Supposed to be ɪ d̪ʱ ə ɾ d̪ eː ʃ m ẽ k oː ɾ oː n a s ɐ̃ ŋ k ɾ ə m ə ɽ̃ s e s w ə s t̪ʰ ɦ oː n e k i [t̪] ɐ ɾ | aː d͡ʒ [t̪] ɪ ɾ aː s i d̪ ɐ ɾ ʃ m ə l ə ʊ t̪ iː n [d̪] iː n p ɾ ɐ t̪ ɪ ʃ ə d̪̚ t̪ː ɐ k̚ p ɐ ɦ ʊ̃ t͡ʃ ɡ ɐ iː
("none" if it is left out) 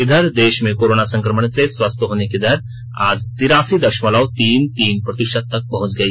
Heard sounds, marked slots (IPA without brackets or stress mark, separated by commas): d̪, t̪, t̪